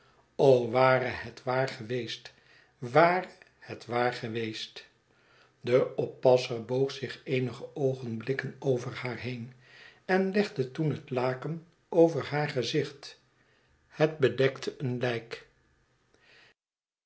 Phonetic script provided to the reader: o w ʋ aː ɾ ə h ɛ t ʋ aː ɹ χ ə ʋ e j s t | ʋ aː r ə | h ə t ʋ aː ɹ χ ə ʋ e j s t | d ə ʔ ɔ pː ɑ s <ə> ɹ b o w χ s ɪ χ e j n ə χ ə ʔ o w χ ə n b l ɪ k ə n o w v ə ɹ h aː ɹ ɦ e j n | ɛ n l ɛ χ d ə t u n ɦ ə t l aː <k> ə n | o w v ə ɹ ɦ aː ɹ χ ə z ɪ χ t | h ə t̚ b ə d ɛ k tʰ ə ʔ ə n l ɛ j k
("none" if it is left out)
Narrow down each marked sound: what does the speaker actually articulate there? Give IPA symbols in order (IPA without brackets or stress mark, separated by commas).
ə, k